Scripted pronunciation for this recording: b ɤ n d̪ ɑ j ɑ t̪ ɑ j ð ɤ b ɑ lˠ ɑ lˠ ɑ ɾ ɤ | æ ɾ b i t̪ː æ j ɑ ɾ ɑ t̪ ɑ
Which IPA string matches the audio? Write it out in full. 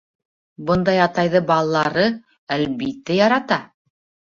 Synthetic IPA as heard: b ɤ n d̪ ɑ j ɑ t̪ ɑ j ð ɤ b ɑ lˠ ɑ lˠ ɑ ɾ ɤ | æ l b i t̪ː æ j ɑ ɾ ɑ t̪ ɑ